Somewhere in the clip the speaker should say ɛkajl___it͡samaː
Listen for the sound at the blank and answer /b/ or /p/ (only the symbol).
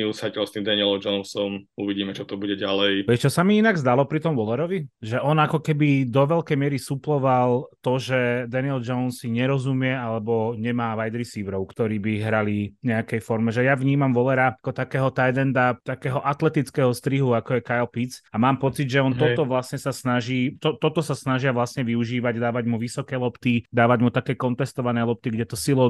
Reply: p